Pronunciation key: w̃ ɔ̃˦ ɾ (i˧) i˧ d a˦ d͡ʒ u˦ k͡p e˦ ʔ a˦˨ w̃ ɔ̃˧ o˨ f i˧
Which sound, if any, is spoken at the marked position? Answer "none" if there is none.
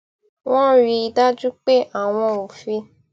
i˧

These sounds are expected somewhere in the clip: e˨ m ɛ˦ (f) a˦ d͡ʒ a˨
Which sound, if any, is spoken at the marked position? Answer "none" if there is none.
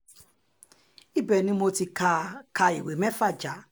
f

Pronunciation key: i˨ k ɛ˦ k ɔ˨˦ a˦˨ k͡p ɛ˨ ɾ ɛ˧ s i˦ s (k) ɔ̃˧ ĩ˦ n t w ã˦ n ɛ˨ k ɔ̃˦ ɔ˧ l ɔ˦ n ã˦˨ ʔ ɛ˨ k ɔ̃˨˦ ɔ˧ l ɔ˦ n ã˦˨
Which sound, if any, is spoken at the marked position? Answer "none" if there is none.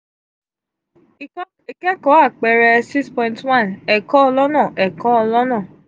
p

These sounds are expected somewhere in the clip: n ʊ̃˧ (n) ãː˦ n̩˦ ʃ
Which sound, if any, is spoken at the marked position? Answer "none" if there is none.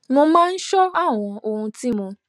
m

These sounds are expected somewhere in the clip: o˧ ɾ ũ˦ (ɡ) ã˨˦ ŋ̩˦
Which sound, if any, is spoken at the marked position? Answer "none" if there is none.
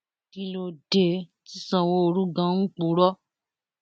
ɡ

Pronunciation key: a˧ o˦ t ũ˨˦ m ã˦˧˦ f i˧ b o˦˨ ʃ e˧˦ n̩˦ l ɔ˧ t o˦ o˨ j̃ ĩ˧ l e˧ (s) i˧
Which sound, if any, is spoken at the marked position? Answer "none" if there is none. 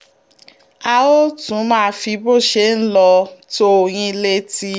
t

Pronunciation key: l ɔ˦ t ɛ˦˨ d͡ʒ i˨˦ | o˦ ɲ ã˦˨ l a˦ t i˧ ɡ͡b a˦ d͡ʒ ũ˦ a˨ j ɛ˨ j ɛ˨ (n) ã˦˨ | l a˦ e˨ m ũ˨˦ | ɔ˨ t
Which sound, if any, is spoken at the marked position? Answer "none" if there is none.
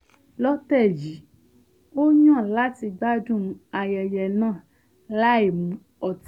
n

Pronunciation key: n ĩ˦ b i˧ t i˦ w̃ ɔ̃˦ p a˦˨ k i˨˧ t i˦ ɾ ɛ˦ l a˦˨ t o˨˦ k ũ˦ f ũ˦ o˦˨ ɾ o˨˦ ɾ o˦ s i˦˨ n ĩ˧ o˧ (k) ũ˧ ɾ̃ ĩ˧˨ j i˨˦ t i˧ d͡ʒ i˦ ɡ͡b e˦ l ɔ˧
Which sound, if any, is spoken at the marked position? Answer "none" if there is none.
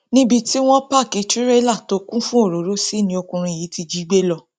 k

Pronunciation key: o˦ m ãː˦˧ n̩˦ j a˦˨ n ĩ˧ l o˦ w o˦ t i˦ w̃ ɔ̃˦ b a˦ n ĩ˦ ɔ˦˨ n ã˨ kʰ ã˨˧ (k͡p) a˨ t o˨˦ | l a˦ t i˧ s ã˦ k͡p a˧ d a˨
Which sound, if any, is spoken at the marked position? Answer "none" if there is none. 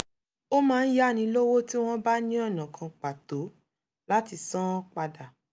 k͡p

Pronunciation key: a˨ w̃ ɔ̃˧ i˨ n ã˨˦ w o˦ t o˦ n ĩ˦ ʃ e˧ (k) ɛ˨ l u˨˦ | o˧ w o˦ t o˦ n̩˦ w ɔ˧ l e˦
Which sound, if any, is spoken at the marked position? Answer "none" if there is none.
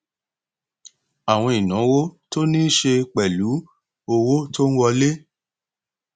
k͡p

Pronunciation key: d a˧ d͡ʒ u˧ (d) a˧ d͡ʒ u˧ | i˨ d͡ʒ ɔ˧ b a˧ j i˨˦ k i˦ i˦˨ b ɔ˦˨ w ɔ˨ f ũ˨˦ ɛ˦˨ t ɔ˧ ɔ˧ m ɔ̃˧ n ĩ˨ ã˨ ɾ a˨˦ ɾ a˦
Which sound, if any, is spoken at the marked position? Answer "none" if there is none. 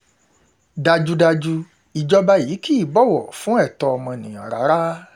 d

